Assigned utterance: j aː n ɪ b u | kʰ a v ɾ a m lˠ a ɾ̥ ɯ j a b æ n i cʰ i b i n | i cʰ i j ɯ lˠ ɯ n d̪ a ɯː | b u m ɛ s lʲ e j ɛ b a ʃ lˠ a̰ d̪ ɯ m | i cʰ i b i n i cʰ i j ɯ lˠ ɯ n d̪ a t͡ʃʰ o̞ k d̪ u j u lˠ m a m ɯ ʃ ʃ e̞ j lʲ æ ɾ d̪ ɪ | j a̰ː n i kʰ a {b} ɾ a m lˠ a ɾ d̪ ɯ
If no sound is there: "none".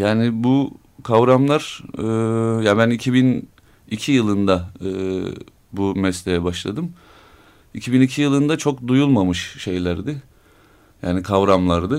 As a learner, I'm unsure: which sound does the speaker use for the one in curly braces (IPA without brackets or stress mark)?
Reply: v